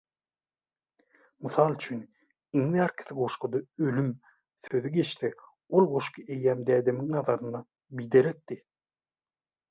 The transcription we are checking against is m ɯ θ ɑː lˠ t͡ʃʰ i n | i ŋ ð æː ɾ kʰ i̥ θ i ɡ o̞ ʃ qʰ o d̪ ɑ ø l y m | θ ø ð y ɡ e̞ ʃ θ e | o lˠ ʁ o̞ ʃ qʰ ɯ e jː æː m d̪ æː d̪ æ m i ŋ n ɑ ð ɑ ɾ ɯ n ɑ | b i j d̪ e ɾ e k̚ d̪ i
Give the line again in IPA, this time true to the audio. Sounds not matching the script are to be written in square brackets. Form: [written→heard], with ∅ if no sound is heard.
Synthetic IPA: m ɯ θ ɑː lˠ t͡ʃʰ [i→y] n | i ŋ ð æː ɾ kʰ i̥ θ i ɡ o̞ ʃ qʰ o d̪ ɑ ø l y m | θ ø ð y ɡ e̞ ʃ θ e | o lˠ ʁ o̞ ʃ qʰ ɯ e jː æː m d̪ æː d̪ [æ→e] m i ŋ n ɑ ð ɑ ɾ ɯ n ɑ | b i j d̪ e ɾ e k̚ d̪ i